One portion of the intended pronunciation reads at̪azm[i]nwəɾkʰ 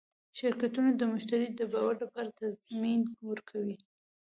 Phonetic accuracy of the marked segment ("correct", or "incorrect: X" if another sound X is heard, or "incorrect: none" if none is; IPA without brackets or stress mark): correct